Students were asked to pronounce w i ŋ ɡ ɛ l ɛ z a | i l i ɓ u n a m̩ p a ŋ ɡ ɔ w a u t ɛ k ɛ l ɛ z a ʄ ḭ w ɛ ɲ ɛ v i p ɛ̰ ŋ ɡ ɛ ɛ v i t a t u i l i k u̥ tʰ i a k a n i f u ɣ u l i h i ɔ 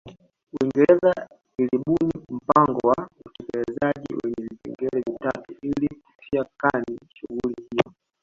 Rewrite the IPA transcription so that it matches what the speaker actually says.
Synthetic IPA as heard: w i ŋ ɡ ɛ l ɛ z a | i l i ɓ u n i m̩ p a ŋ ɡ ɔ w a u t ɛ k ɛ l ɛ z a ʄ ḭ w ɛ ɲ ɛ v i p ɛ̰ ŋ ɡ ɛ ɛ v i t a t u i l i k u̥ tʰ i a k a n i ʃ u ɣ u l i h i ɔ